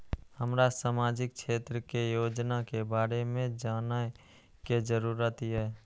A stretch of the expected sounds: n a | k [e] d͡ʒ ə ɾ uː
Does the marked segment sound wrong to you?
no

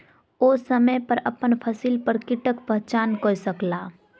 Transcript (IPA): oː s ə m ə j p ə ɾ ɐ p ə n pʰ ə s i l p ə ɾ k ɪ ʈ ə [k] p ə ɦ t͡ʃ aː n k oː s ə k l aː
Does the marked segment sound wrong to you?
no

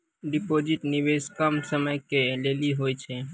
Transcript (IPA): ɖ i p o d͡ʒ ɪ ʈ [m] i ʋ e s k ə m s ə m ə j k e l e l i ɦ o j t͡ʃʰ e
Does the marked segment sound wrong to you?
yes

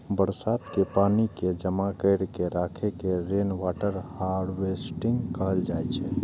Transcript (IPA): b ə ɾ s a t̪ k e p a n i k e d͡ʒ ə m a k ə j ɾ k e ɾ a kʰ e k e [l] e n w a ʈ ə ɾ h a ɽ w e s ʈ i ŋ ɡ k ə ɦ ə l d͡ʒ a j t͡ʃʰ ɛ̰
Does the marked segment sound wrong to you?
yes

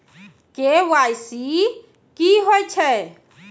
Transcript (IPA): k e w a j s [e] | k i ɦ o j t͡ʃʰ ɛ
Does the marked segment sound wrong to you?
yes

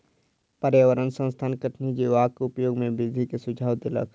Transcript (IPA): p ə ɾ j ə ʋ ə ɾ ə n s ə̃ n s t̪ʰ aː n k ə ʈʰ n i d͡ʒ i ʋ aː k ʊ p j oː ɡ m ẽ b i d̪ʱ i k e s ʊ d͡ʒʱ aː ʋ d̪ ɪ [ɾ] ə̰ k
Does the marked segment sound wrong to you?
yes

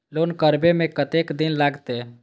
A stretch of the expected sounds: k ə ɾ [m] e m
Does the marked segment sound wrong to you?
yes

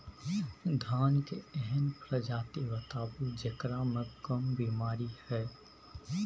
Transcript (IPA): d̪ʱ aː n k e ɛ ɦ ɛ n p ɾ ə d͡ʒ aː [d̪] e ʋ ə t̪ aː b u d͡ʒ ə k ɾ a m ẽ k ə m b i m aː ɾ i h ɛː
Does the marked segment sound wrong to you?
yes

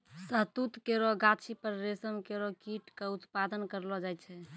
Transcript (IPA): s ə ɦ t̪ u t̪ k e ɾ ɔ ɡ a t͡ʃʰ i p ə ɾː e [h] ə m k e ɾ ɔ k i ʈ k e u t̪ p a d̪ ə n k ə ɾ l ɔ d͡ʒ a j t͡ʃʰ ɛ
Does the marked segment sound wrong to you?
yes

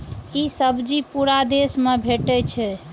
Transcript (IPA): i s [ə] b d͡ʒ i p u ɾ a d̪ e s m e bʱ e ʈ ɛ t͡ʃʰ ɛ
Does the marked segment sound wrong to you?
no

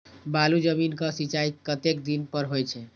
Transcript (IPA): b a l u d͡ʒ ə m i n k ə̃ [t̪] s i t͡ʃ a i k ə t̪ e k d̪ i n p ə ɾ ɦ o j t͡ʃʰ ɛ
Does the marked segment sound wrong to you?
yes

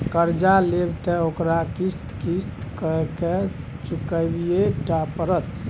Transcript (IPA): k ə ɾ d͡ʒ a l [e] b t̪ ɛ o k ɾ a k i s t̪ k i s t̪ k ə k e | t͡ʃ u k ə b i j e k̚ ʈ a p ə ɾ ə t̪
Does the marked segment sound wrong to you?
no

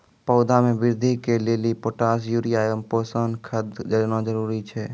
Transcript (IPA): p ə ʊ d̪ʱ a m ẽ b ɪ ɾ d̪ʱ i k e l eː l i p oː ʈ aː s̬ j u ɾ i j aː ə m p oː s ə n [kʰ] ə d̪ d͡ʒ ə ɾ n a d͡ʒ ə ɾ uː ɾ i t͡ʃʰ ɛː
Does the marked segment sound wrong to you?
no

